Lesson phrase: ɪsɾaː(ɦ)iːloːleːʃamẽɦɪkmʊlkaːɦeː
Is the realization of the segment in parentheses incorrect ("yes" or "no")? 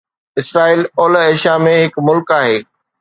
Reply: yes